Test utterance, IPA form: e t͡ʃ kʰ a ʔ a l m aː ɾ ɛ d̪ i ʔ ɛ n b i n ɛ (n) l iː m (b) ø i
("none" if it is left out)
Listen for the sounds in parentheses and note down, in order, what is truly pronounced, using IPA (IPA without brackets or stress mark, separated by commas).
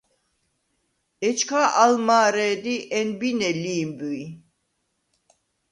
none, b